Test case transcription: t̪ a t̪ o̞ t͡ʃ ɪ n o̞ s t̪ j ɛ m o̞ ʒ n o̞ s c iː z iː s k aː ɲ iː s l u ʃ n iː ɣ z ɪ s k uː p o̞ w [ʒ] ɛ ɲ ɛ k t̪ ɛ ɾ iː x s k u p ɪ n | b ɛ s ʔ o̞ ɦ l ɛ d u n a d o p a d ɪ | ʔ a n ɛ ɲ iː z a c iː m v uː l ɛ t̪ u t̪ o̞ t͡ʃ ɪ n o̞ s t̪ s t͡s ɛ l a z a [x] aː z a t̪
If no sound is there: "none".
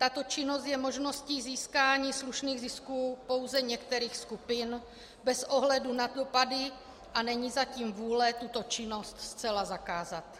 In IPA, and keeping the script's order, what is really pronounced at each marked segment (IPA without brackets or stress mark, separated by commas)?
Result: z, k